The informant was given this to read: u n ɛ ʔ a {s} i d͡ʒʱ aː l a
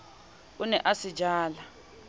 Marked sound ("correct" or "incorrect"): correct